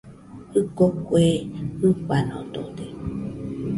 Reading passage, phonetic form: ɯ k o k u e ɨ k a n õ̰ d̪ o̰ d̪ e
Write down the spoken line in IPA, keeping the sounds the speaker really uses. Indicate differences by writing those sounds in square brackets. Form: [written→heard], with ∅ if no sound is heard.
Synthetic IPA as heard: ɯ k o k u e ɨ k a n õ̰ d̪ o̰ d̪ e